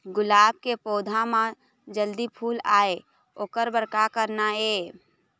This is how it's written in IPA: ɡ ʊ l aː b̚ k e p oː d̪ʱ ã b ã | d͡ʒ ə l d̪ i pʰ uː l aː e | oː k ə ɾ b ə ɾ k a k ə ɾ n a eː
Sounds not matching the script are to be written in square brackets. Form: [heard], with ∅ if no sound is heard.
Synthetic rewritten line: ɡ ʊ l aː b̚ k e p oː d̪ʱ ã [m] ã | d͡ʒ ə l d̪ i pʰ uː l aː e | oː k ə ɾ b ə ɾ k a k ə ɾ n a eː